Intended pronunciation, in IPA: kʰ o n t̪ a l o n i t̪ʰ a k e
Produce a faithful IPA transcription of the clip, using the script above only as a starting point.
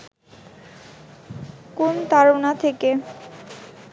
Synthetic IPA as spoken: k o n t̪ a ɾ o n a t̪ʰ e k e

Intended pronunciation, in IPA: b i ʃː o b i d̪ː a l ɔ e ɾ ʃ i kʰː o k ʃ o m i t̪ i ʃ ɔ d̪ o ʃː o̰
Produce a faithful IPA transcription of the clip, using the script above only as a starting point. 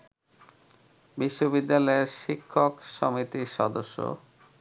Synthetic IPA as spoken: b i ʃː o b i d̪ː a l ɔ e ɾ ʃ i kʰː o k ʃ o m i t̪ i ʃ ɔ d̪ o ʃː o̰

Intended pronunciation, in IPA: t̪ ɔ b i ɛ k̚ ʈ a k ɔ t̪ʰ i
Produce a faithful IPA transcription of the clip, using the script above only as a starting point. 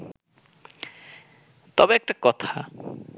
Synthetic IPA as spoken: t̪ ɔ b e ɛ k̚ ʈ a k ɔ t̪ʰ a

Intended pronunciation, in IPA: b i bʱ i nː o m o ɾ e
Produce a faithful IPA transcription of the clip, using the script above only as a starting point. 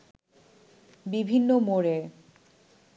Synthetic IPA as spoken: b i bʱ i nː o m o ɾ e

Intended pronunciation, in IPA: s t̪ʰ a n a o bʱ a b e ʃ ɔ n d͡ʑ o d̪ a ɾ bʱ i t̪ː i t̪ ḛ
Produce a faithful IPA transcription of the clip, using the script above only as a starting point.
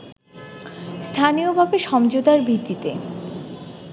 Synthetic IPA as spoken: s t̪ʰ a n i o bʱ a b e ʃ ɔ m d͡ʑ o d̪ a ɾ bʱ i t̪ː i t̪ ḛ

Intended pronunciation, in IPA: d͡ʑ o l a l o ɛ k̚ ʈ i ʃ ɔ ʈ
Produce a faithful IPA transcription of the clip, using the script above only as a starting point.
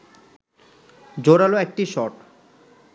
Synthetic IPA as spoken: d͡ʑ o ɾ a l o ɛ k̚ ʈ i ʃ ɔ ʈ

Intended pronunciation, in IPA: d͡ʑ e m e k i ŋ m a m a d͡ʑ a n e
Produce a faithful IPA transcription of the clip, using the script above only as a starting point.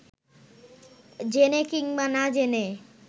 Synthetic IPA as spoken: d͡ʑ e n e k i ŋ b a n a d͡ʑ e n e

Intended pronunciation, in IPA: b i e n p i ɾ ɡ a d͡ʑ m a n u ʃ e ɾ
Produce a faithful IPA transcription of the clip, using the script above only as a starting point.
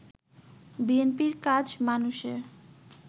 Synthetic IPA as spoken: b i e n p i ɾ k a d͡ʑ m a n u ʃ e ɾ

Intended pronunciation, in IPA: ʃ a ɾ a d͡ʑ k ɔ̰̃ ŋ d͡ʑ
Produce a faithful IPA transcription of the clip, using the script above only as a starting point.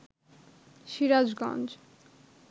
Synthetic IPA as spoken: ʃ i ɾ a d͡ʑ ɡ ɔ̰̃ n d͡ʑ

